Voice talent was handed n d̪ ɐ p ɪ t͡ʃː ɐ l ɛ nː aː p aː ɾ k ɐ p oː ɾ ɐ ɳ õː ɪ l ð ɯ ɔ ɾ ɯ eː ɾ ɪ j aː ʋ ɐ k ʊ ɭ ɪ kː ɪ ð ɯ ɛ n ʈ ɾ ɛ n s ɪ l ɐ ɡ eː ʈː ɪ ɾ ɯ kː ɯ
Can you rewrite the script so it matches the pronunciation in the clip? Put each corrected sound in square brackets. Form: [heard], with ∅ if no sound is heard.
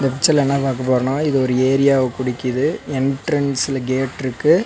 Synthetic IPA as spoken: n d̪ ɐ p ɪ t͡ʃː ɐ l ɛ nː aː p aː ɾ k ɐ p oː ɾ ɐ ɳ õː ɪ [∅] ð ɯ ɔ ɾ ɯ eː ɾ ɪ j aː ʋ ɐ k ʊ [ɽ] ɪ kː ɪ ð ɯ ɛ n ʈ ɾ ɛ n s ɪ l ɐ ɡ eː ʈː ɪ ɾ ɯ kː ɯ